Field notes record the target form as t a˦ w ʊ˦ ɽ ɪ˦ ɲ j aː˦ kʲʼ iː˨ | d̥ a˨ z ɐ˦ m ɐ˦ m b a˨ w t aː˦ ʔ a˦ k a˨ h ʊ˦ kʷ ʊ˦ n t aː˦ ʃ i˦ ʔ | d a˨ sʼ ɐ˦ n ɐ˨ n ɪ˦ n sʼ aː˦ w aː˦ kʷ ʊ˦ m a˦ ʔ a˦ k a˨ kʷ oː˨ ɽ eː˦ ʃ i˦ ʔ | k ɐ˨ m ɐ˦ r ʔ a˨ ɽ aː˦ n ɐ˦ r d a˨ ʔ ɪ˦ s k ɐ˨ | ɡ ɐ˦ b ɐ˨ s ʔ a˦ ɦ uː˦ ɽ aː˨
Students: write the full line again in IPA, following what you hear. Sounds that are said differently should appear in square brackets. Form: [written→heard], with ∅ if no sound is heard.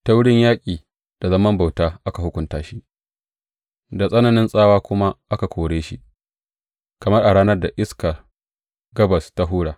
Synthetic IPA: t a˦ w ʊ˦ ɽ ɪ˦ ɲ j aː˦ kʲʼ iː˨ | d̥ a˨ z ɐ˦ m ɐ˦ m b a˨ w t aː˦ ʔ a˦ k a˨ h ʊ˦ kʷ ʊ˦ n t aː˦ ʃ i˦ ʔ | d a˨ sʼ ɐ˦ n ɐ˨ n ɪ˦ n sʼ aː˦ w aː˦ kʷ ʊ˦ m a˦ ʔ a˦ k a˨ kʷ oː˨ ɽ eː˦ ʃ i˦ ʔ | k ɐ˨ m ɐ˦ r ʔ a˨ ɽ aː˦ n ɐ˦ r d a˨ ʔ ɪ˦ s k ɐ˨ | ɡ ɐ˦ b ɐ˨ s [ʔ→t] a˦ ɦ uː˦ ɽ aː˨